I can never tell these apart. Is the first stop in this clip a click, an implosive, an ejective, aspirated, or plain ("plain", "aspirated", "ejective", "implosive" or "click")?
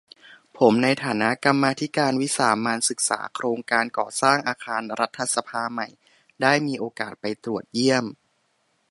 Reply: aspirated